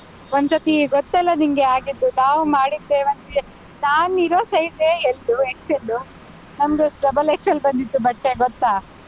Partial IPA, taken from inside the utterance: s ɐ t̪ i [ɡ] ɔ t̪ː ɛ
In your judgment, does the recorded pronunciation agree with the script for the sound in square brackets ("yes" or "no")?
yes